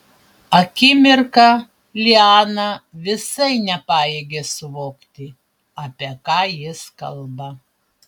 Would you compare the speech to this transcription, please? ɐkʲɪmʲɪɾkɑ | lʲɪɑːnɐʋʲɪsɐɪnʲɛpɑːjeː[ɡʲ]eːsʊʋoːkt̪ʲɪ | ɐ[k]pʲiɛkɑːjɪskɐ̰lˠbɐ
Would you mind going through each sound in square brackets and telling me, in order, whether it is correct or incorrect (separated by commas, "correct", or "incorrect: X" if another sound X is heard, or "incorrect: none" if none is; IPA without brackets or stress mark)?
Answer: correct, incorrect: none